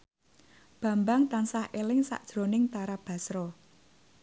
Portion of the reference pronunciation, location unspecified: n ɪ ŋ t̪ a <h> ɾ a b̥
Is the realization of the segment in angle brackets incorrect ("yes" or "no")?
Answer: yes